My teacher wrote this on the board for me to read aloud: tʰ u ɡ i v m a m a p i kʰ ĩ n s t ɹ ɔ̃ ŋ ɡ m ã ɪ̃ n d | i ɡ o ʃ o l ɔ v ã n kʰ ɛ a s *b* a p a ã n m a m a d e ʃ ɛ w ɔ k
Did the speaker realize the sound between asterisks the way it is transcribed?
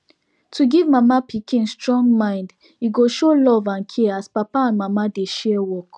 no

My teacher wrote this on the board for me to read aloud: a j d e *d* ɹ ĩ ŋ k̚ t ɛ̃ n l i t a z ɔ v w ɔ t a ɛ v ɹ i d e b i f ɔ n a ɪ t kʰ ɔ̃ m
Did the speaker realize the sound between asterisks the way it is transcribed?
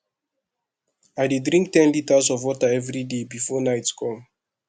yes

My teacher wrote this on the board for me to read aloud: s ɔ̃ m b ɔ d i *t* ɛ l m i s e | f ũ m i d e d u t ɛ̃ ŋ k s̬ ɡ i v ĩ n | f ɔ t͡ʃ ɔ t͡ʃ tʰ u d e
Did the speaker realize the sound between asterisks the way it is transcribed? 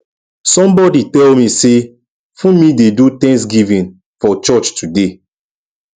yes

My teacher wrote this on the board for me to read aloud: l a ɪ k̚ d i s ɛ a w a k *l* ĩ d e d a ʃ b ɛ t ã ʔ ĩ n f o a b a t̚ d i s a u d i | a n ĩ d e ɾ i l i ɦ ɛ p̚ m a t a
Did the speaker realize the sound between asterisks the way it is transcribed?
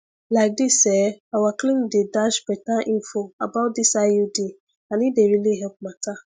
yes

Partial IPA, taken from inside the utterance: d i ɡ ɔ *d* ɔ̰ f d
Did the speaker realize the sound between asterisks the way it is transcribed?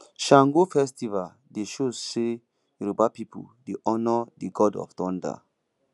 yes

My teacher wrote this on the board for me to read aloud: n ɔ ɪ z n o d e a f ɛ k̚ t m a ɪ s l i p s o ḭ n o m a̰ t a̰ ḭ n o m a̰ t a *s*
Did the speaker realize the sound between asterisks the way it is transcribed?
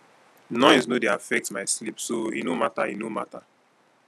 no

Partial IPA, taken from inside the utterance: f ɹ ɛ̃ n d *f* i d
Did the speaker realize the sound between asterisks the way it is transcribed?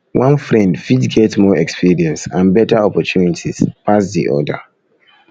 yes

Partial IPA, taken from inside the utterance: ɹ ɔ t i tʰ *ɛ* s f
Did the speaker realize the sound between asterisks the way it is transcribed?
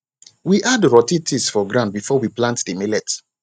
no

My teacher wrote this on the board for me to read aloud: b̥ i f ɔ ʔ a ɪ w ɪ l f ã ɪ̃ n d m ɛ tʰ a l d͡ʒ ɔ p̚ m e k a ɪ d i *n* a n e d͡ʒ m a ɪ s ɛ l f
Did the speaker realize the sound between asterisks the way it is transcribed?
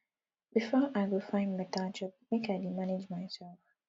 no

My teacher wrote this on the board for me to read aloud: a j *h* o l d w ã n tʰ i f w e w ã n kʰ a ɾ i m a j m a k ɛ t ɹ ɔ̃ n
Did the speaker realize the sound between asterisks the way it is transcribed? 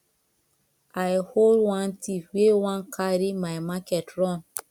yes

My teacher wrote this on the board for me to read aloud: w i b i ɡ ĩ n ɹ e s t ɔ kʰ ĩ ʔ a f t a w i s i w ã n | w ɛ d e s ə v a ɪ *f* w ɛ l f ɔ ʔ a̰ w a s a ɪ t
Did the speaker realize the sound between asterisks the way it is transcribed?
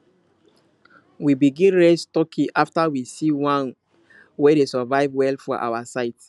no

